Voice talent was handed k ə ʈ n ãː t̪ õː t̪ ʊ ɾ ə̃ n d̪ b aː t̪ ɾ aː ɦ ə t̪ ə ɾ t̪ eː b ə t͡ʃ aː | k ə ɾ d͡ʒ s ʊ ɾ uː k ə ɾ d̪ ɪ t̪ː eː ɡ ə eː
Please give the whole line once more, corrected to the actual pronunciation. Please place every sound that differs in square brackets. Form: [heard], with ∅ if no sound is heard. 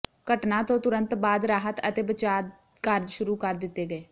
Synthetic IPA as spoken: k ə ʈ n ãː t̪ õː t̪ ʊ ɾ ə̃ n [t̪] b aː [d̪] ɾ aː ɦ ə t̪ ə [∅] t̪ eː b ə t͡ʃ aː | k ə ɾ d͡ʒ [ʃ] ʊ ɾ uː k ə ɾ d̪ ɪ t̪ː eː ɡ ə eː